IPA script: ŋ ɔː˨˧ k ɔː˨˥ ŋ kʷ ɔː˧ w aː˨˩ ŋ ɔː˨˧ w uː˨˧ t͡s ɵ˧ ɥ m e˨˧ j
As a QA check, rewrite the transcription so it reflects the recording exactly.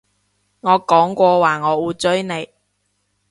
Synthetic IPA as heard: ŋ ɔː˨˧ k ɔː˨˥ ŋ kʷ ɔː˧ w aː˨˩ ŋ ɔː˨˧ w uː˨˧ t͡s ɵ˥ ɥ n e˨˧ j